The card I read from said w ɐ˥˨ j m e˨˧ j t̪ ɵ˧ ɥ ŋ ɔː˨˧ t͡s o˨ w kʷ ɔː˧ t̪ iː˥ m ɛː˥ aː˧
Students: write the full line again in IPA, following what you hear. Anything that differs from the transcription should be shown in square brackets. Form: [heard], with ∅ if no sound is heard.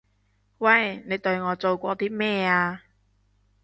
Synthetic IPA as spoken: w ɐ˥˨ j [n] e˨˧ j t̪ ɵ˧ ɥ ŋ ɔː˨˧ t͡s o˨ w kʷ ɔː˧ t̪ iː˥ m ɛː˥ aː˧